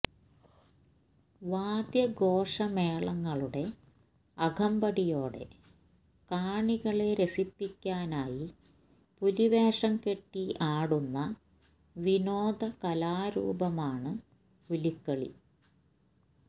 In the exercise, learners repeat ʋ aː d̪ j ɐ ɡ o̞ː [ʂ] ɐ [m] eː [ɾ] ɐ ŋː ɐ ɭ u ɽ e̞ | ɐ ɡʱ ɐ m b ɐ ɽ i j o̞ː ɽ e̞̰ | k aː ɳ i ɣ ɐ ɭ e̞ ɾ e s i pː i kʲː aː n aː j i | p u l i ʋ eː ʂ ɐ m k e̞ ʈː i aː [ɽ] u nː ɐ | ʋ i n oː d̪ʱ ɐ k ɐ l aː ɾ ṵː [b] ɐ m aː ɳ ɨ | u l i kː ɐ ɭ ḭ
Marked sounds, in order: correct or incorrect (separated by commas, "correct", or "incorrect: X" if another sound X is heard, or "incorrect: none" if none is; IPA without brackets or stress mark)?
correct, correct, incorrect: ɭ, correct, correct